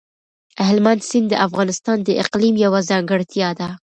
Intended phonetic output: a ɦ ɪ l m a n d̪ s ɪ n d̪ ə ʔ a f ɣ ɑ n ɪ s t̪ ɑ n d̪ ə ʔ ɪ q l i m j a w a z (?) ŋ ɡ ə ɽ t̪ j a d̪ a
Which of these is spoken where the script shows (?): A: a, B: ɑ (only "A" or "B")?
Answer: B